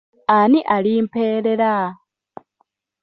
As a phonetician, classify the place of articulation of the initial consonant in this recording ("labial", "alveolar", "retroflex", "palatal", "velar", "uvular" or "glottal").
alveolar